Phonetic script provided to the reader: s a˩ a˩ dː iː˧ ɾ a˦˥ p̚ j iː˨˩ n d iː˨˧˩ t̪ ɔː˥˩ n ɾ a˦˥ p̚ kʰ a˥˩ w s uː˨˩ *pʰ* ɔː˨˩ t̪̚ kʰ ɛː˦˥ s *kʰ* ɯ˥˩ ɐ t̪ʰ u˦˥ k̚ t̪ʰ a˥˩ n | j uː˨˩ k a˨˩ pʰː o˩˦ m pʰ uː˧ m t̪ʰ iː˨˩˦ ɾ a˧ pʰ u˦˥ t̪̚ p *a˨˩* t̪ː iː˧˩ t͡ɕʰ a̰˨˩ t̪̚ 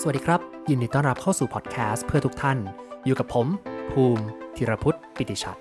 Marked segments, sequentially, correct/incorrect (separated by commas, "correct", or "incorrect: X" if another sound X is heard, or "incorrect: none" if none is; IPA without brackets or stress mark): correct, incorrect: pʰ, incorrect: i˨˩